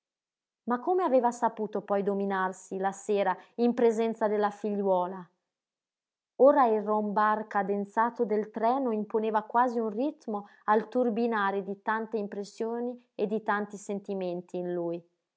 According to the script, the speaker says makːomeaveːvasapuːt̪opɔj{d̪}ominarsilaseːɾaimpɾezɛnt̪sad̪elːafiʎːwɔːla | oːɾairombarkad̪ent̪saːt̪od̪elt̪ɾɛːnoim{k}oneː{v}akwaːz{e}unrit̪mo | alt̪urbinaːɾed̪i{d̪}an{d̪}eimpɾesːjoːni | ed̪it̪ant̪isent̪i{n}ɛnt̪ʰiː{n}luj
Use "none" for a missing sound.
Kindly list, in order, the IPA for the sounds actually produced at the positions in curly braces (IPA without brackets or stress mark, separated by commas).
d̪, p, v, i, t̪, t̪, m, n